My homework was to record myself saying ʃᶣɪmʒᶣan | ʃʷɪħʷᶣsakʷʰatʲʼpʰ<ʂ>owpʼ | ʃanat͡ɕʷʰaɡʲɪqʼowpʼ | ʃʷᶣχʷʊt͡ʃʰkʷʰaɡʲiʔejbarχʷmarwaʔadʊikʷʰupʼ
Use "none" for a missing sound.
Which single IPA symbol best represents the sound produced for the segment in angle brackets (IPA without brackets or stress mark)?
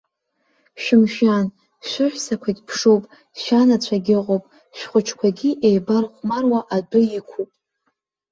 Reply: ʂ